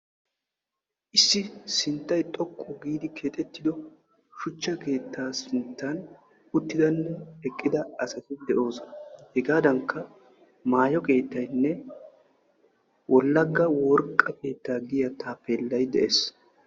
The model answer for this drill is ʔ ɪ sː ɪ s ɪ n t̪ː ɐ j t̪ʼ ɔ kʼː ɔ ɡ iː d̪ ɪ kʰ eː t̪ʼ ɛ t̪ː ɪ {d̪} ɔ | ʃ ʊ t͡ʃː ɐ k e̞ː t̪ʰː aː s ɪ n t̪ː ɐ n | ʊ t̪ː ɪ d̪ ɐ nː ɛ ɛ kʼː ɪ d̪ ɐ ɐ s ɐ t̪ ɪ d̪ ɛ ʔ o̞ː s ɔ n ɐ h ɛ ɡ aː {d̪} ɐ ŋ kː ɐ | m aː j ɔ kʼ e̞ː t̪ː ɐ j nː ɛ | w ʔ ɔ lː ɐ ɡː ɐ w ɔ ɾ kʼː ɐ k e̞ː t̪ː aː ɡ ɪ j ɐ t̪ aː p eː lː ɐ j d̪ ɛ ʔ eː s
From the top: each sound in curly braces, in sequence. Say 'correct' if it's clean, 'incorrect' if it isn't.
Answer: correct, correct

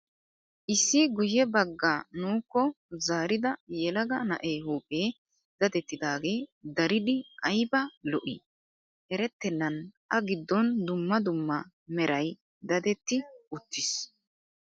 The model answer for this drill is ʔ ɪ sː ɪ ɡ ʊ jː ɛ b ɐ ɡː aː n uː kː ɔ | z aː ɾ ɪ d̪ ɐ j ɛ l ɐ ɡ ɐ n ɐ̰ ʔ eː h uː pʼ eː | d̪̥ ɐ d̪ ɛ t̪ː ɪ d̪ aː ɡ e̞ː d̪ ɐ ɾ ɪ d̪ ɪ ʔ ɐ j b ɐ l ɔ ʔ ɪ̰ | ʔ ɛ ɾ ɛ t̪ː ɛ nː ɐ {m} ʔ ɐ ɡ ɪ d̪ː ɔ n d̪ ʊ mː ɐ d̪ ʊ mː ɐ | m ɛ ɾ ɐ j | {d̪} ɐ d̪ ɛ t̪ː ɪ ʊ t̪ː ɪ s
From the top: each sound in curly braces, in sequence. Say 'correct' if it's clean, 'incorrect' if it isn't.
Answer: incorrect: n, correct

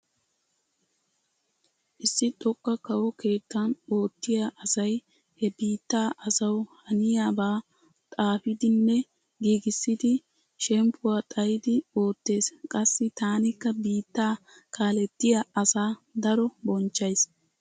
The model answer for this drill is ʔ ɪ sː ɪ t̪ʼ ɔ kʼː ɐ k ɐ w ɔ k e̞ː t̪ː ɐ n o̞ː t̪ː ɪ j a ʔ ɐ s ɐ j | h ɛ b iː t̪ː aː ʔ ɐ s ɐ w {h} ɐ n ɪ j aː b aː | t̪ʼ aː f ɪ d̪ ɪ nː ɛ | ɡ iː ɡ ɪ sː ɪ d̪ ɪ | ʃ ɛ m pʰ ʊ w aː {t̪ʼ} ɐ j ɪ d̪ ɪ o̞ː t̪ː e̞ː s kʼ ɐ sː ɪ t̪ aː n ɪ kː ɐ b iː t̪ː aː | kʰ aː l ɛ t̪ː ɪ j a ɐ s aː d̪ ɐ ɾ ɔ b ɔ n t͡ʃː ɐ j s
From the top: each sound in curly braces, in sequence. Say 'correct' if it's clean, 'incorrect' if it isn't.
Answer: correct, correct

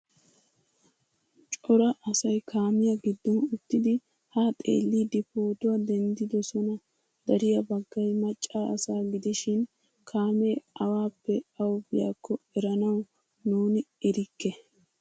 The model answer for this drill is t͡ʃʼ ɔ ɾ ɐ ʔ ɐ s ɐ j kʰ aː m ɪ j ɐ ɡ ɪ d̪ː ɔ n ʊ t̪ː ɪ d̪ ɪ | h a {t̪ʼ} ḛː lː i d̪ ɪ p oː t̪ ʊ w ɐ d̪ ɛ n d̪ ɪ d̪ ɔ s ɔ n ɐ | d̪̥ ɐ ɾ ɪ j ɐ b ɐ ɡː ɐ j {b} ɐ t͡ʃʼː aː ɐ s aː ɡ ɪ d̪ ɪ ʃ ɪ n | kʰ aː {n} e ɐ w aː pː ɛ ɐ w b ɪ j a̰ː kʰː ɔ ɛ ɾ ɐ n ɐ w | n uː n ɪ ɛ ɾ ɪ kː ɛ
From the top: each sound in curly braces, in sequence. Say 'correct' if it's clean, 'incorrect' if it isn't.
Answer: correct, incorrect: m, incorrect: m

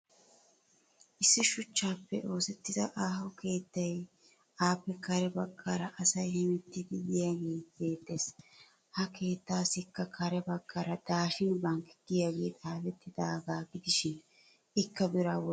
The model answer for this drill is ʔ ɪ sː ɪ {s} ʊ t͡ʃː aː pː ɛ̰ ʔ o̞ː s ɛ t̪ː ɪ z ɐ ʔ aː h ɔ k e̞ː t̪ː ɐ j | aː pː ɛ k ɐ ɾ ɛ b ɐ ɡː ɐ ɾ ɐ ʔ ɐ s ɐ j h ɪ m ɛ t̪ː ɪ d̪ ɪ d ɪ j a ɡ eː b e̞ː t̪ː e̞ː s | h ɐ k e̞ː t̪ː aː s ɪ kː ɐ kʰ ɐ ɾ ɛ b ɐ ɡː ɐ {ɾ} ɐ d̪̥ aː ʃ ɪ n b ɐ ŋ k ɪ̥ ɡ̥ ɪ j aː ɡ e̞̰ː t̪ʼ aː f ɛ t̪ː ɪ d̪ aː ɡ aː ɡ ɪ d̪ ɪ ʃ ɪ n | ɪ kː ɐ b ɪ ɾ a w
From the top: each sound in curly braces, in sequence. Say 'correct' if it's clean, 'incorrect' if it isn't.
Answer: incorrect: ʃ, correct

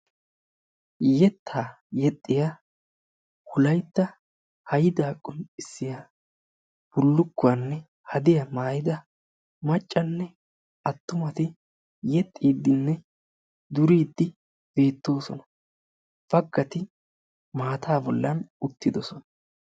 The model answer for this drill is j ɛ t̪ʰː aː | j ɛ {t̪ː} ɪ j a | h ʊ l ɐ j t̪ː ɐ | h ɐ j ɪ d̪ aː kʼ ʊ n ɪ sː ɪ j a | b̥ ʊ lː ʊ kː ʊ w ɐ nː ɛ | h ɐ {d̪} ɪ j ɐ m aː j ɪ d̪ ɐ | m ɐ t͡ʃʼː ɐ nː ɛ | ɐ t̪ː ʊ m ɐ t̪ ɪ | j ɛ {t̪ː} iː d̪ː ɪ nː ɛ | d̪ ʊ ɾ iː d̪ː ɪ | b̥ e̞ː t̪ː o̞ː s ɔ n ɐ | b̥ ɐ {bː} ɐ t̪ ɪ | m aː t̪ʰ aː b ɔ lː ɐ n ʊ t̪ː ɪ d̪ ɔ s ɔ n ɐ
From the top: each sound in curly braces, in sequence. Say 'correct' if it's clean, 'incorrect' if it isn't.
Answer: incorrect: t̪ʼː, correct, incorrect: t̪ʼː, incorrect: ɡː

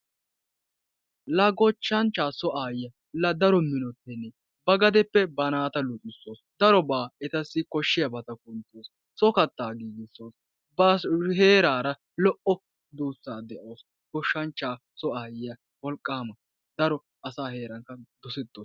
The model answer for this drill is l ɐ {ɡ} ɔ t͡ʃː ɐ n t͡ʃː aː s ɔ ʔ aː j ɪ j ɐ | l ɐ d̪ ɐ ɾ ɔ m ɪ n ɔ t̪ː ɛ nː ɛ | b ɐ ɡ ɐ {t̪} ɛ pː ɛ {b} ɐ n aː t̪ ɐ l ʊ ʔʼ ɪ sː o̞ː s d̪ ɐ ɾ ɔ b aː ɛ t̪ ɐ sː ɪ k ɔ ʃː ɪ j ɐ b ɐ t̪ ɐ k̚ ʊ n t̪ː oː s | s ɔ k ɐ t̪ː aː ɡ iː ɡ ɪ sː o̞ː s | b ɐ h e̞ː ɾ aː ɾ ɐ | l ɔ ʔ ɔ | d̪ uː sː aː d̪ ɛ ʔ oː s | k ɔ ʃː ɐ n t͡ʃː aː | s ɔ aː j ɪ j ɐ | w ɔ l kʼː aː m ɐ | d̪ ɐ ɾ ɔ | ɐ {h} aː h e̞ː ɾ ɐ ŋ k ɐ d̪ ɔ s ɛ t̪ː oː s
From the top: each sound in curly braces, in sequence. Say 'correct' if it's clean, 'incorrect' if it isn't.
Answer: correct, incorrect: d̪, correct, incorrect: s

